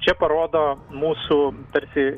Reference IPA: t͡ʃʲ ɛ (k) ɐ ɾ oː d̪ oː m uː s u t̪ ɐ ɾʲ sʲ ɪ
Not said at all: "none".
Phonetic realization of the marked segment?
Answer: p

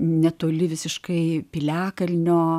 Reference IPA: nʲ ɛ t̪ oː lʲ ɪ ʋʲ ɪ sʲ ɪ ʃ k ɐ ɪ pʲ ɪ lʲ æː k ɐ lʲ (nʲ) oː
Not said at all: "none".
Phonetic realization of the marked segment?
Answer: nʲ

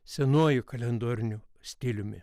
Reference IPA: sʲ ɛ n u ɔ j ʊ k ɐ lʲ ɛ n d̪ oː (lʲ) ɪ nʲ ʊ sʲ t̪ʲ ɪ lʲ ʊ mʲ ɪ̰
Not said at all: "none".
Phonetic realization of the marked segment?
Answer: ɾʲ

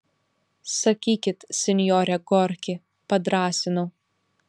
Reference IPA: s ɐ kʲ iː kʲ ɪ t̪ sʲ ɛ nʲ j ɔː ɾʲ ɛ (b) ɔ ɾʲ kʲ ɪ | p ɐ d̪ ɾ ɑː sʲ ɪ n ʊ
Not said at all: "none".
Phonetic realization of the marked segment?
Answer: ɡ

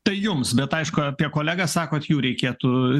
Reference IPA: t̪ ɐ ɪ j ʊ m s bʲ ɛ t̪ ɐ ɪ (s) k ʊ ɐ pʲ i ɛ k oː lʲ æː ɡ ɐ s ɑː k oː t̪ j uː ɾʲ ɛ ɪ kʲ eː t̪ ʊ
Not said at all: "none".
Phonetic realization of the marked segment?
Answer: ʃ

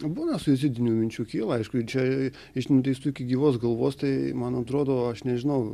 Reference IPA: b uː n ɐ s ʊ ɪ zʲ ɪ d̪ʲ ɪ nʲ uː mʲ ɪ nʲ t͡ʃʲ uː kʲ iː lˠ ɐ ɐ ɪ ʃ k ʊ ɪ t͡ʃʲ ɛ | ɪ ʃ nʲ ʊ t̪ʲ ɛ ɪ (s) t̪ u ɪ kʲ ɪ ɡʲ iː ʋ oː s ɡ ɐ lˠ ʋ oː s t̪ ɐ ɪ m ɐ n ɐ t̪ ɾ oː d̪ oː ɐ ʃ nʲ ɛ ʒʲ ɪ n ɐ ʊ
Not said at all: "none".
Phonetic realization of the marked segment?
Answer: s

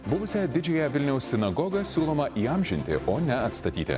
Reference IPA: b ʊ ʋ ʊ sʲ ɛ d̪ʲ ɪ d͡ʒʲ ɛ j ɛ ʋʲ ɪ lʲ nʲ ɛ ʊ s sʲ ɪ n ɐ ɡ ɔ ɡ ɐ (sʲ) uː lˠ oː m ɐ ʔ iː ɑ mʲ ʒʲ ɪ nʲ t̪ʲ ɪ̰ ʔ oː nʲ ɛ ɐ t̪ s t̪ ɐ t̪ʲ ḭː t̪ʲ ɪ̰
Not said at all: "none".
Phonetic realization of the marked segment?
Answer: sʲ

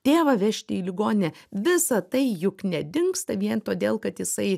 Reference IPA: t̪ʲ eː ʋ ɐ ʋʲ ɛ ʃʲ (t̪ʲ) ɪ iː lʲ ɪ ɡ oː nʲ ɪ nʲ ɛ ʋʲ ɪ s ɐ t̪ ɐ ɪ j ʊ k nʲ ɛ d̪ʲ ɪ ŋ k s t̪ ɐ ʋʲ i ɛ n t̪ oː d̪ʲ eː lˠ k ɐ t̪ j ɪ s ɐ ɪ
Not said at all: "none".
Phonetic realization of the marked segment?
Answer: t̪ʲ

